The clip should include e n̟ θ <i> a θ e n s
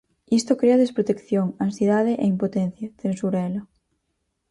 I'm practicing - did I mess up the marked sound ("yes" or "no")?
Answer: yes